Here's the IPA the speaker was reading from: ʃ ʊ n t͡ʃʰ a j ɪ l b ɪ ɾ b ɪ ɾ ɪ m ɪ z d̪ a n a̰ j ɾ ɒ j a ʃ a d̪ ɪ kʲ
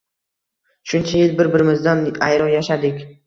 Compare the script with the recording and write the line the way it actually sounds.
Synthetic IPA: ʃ ʊ n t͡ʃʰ a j ɪ l b ɪ ɾ b ɪ ɾ ɪ m ɪ z d̪ a n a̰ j ɾ ɒ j a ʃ a d̪ ɪ kʲ